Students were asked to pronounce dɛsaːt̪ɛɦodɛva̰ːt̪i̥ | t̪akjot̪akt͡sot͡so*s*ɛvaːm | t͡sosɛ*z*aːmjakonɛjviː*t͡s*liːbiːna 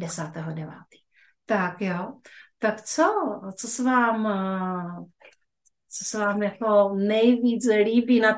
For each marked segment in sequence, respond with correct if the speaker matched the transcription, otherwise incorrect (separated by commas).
correct, incorrect, correct